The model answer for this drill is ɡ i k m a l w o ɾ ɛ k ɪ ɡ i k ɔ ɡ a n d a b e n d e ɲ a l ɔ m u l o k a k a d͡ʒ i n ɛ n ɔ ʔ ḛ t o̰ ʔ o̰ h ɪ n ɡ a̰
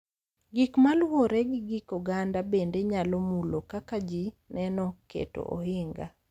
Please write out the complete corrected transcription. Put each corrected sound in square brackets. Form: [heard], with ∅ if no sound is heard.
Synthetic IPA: ɡ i k m a l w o ɾ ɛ [ɡ] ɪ ɡ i k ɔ ɡ a n d a b e n d e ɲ a l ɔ m u l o k a k a d͡ʒ i n ɛ n ɔ [k] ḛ t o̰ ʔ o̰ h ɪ [ŋ] ɡ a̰